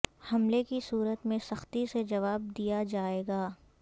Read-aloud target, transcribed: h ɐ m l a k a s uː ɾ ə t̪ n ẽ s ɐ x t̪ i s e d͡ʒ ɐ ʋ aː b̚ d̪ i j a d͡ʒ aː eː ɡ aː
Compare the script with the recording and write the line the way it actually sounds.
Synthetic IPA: h ɐ m l e k i s uː ɾ ə t̪ m ẽ s ɐ x t̪ i s e d͡ʒ ɐ ʋ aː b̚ d̪ i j a d͡ʒ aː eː ɡ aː